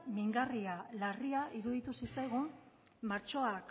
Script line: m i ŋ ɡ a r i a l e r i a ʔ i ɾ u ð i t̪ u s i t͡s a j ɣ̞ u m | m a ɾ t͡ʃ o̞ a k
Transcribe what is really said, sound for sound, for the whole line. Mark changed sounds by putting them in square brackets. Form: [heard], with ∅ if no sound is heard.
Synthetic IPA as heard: m i ŋ ɡ a r i a l [a] r i a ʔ i ɾ u ð i t̪ u s i t͡s a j ɣ̞ u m | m a ɾ t͡ʃ o̞ a k